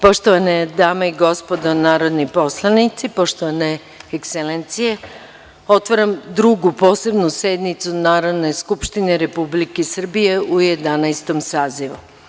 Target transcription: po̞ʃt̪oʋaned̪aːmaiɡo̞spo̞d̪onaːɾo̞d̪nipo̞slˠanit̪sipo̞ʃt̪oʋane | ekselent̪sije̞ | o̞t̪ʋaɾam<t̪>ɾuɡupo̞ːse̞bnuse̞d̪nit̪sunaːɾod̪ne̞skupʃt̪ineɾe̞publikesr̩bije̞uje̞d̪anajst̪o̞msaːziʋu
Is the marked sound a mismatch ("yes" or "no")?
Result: yes